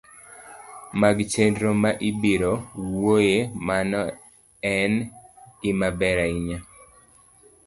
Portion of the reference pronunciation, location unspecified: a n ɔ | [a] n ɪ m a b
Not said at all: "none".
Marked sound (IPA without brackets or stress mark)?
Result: ɛ